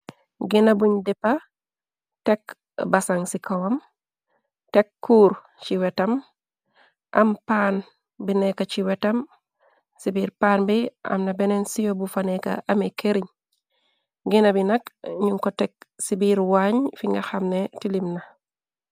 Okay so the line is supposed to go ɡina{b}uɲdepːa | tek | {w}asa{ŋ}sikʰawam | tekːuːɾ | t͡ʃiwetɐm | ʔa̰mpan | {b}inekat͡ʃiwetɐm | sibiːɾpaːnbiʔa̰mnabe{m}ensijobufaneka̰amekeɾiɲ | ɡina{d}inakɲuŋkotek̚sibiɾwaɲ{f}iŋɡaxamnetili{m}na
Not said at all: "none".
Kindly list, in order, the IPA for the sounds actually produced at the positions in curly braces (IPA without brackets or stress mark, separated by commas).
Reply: b, b, ŋ, b, n, b, f, m